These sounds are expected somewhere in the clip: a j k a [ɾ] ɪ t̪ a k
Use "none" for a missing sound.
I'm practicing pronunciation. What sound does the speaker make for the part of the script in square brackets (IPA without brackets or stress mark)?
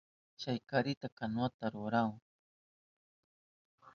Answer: ɾ